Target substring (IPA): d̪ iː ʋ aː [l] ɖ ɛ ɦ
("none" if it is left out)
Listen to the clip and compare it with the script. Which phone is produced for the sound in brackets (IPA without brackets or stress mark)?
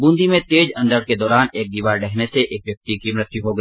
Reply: ɾ